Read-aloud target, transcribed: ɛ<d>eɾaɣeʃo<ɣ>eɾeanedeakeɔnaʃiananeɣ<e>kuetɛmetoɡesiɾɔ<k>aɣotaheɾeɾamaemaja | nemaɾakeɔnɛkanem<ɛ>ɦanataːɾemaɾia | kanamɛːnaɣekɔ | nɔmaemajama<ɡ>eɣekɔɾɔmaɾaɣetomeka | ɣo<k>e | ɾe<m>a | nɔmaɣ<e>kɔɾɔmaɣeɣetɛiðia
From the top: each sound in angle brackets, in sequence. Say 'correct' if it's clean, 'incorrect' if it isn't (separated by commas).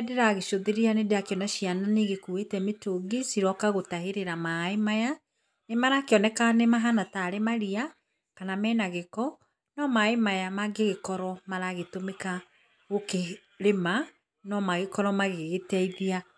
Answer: correct, incorrect, correct, correct, incorrect, correct, correct, correct, correct